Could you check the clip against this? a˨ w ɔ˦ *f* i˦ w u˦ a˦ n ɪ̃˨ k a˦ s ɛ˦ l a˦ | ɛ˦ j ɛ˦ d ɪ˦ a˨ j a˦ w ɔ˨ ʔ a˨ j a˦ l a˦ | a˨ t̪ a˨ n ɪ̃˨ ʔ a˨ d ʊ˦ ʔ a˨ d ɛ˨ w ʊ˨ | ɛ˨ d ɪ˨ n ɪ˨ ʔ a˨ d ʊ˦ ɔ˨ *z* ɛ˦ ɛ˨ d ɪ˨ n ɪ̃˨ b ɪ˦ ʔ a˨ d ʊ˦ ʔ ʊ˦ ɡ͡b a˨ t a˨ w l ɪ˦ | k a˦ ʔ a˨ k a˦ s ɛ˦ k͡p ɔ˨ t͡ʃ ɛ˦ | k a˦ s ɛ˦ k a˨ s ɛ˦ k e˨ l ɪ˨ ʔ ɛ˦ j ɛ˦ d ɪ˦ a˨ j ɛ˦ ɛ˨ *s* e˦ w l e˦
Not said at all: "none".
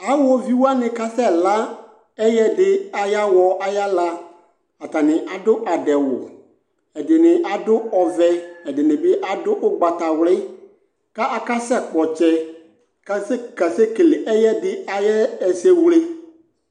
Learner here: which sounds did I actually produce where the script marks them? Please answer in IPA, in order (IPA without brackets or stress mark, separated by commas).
v, v, s